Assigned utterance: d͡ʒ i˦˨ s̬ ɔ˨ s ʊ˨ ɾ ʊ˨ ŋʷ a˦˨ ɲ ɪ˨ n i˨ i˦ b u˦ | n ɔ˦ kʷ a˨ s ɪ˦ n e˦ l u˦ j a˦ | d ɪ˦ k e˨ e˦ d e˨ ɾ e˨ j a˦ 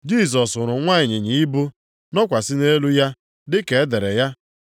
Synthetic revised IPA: d͡ʒ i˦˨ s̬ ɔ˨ s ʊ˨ ɾ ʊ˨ ŋʷ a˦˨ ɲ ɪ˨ ɲ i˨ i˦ b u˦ | n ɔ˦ kʷ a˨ s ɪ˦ n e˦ l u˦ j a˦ | d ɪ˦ k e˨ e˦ d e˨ ɾ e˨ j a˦